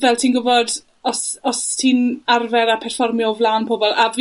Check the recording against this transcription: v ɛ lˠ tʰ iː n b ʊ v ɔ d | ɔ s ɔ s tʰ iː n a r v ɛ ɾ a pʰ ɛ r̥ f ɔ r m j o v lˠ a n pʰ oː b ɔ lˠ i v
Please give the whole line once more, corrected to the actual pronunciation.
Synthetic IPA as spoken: v ɛ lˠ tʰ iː n ɡ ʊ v ɔ d | ɔ s ɔ s tʰ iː n a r v ɛ ɾ a pʰ ɛ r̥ f ɔ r m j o v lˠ a n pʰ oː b ɔ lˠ a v

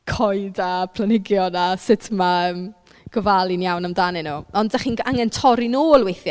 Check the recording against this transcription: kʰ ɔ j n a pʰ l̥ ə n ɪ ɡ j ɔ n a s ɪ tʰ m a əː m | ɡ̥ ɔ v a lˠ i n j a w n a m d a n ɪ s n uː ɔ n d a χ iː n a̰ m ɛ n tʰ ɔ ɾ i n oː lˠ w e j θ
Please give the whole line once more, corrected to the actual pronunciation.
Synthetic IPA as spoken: kʰ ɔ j d a pʰ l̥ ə n ɪ ɡ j ɔ n a s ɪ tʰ m a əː m | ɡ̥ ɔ v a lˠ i n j a w n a m d a n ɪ n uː ɔ n d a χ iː n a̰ ŋ ɛ n tʰ ɔ ɾ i n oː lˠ w e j θ

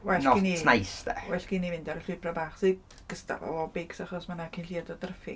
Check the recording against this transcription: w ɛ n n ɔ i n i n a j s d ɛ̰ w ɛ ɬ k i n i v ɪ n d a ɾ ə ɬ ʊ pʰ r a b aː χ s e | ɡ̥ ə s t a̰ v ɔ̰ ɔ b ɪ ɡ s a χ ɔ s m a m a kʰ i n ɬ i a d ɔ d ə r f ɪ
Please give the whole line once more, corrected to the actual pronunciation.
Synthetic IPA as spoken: w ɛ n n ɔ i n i n a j s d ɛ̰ w ɛ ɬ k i n i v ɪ n d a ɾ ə ɬ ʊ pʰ r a b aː χ s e | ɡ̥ ə s t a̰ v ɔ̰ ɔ b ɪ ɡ s a χ ɔ s m a n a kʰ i n ɬ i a d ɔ d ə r f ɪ

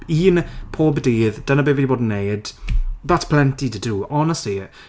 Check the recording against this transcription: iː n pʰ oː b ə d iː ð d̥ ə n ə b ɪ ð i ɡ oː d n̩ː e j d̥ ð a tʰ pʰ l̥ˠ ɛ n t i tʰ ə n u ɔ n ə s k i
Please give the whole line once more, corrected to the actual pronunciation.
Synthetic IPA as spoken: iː n pʰ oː b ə d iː ð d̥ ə n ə b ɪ v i b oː d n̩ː e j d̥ ð a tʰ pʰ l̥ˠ ɛ n t i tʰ ə d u ɔ n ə s t i

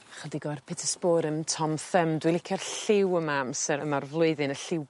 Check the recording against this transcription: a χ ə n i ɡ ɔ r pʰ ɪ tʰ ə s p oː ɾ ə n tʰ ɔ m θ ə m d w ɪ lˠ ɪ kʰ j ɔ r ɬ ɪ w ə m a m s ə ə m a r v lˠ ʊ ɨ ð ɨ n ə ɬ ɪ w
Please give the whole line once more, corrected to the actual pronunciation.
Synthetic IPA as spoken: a χ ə d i ɡ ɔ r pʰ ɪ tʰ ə s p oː ɾ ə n tʰ ɔ m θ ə m d w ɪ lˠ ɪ kʰ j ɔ r ɬ ɪ w ə m a m s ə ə m a r v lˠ ʊ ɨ ð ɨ n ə ɬ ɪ w

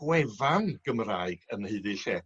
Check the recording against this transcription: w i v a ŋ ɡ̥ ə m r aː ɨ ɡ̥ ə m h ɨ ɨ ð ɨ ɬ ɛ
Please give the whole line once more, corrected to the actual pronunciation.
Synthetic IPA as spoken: w ɛ v a n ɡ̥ ə m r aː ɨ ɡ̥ ə n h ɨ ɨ ð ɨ ɬ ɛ

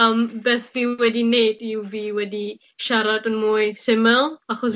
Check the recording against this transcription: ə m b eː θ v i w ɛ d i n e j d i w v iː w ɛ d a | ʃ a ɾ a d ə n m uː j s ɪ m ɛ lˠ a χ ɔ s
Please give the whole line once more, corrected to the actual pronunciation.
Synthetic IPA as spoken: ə m b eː θ v i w ɛ d i n e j d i w v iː w ɛ d i | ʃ a ɾ a d ə n m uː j s ɪ m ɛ lˠ a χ ɔ s

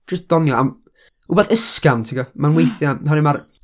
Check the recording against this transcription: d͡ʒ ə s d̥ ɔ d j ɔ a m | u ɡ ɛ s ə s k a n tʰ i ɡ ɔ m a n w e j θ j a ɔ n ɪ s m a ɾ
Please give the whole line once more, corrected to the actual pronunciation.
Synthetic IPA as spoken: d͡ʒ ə s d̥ ɔ n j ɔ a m | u b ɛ θ ə s k a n tʰ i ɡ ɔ m a n w e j θ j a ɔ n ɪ m a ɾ

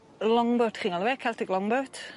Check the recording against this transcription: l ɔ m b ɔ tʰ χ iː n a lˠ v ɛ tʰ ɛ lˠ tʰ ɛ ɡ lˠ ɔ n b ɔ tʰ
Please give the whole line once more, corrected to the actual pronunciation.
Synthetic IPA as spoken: l ɔ ŋ b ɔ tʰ χ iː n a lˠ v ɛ kʰ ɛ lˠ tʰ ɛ ɡ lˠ ɔ ŋ b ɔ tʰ

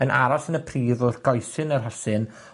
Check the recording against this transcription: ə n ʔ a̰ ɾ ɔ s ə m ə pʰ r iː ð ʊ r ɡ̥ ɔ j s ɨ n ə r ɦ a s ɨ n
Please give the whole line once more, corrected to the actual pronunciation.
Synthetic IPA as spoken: ə n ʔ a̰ ɾ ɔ s ə n ə pʰ r iː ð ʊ r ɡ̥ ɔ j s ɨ n ə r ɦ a s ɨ n

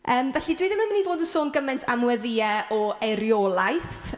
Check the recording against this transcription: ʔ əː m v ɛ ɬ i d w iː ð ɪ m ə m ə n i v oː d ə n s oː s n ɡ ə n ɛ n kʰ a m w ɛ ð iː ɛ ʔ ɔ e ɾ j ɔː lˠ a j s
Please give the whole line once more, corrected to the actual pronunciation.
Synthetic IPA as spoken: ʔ əː m v ɛ ɬ i d w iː ð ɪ m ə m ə n i v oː d ə n s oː n ɡ ə m ɛ n tʰ a m w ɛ ð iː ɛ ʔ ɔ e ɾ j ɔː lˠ a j θ

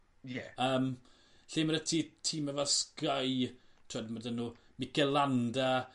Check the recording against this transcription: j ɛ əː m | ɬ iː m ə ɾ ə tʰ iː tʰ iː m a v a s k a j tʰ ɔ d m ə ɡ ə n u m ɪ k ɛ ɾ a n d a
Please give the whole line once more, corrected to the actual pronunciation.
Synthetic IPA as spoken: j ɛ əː m | ɬ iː m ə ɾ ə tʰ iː tʰ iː m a v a s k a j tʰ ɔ d m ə d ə n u m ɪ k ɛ l a n d a

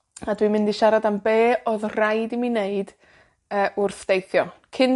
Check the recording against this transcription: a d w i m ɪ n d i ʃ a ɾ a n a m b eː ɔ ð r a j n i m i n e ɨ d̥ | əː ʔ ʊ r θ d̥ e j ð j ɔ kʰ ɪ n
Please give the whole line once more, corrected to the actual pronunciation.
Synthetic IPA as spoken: a d w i m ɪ n d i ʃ a ɾ a d a m b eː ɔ ð r a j d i m i n e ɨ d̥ | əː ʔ ʊ r θ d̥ e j θ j ɔ kʰ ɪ n

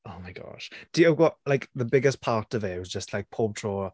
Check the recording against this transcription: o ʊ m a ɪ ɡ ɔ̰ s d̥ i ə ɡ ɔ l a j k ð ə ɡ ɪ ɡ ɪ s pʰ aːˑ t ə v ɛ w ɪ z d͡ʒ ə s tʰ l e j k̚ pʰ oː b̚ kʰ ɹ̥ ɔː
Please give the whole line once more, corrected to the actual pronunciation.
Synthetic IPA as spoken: o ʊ m a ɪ ɡ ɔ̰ ʃ d̥ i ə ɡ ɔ l a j k ð ə b ɪ ɡ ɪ s pʰ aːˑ t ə v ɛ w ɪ z d͡ʒ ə s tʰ l a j k̚ pʰ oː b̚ tʰ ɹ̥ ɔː

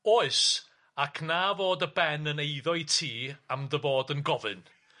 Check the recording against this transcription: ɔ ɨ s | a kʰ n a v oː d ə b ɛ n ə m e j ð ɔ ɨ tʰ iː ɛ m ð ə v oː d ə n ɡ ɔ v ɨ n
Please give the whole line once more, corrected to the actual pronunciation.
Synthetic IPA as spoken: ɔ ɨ s | a kʰ n a v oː d ə b ɛ n ə n e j ð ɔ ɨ tʰ iː a m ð ə v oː d ə n ɡ ɔ v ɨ n

